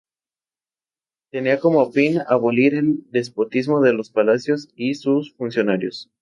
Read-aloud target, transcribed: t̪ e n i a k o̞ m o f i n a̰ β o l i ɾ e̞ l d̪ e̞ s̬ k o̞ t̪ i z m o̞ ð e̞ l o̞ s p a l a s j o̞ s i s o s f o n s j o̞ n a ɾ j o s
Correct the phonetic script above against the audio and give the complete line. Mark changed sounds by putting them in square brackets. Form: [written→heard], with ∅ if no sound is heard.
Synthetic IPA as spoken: t̪ e n i a k o̞ m o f i n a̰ β o l i ɾ e̞ l d̪ e̞ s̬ [k→p] o̞ t̪ i z m o̞ ð e̞ l o̞ s p a l a s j o̞ s i s [o→u] s f [o→u] n s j o̞ n a ɾ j o s